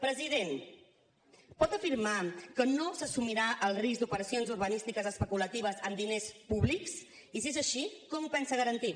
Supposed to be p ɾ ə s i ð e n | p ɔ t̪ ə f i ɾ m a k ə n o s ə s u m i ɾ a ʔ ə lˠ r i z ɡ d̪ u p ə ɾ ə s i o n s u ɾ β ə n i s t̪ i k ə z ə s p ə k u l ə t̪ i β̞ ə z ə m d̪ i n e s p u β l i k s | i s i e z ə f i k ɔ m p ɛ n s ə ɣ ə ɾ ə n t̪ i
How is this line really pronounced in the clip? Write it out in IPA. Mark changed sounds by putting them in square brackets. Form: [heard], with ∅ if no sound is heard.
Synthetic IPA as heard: p ɾ ə [z] i ð e n | p ɔ t̪ ə f i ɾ m a k ə n o s ə s u m i ɾ a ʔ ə lˠ r i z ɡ d̪ u p ə ɾ ə s i o n [z] u ɾ β ə n i s t̪ i k ə z ə s p ə k u l ə t̪ i β̞ ə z ə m d̪ i n e s p u β l i k s | i s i e z ə [ʃ] i k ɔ m p ɛ n s ə ɣ ə ɾ ə n t̪ i